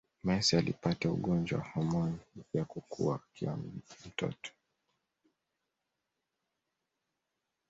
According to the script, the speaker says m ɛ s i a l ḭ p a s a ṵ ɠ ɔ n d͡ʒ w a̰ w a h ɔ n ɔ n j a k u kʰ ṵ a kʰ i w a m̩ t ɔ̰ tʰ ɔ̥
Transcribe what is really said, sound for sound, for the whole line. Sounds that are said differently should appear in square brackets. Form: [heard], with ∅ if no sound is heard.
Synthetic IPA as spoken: m ɛ s i a l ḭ p a [t] a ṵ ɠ ɔ n d͡ʒ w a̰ w a h ɔ [m] ɔ n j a k u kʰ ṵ a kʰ i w a m̩ t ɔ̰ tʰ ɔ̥